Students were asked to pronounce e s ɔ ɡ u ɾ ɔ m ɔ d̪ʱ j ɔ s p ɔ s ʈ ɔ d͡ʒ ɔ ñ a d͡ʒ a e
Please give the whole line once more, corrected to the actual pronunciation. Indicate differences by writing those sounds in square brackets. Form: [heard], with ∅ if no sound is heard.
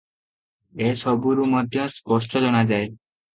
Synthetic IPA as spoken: e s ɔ [b] u ɾ [u] m ɔ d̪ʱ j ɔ s p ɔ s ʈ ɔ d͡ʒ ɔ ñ a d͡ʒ a e